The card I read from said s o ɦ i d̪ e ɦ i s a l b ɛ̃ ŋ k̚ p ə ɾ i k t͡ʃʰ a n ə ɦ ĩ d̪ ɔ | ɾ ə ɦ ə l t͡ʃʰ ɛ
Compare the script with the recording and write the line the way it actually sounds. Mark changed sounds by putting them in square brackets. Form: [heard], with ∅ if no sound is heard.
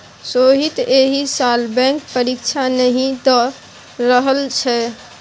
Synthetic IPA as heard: s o ɦ i [t̪] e ɦ i s a l b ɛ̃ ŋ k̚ p ə ɾ i k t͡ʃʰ a n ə ɦ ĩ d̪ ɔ | ɾ ə ɦ ə l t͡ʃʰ ɛ